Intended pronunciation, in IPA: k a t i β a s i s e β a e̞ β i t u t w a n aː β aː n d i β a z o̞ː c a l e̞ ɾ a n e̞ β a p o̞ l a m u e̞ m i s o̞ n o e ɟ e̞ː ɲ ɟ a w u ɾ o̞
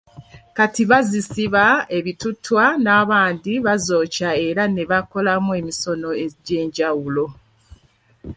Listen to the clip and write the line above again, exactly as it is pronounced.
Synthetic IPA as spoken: k a t i β a z i s i β a e̞ β i t u t w a n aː β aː n d i β a z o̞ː c a e̞ ɾ a n e̞ β a k o̞ l a m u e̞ m i s o̞ n o e ɟ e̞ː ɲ ɟ a w u l o̞